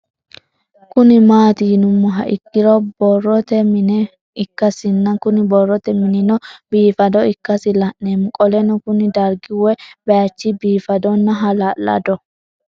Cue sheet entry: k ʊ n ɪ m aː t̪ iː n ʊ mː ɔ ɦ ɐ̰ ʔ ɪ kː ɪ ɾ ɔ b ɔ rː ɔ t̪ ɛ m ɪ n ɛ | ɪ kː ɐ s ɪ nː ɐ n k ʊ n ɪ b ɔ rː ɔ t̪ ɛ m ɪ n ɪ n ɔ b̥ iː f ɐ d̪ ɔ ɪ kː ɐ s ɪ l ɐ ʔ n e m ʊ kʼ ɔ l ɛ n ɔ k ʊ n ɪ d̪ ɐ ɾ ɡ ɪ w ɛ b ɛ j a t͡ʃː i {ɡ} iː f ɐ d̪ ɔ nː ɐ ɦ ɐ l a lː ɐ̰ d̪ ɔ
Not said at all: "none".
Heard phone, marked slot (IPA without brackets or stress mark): b